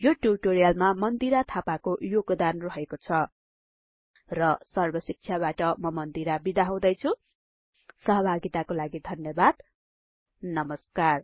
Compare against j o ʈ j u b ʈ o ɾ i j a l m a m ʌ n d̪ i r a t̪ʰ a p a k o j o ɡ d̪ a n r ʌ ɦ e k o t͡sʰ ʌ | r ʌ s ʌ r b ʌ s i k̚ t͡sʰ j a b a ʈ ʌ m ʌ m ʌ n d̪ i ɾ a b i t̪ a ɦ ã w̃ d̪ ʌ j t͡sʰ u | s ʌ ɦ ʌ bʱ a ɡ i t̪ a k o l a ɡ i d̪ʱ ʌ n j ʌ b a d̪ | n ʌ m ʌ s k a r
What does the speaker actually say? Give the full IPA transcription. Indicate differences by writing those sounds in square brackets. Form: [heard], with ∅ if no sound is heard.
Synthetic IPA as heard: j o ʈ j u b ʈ o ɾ i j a l m a m ʌ n d̪ i [ɾ] a t̪ʰ a p a k o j o ɡ d̪ a n r ʌ ɦ e k o t͡sʰ ʌ | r ʌ s ʌ r b ʌ s i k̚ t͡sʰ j a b a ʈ ʌ m ʌ m ʌ n d̪ i ɾ a b i [d̪] a ɦ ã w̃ d̪ ʌ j t͡sʰ u | s ʌ ɦ ʌ bʱ a ɡ i t̪ a k o l a ɡ i d̪ʱ ʌ n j ʌ b a d̪ | n ʌ m ʌ s k a r